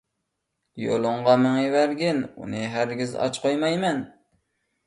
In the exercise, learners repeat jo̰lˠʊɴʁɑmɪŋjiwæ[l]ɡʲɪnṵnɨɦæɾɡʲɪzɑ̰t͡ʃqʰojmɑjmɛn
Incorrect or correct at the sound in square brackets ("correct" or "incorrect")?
incorrect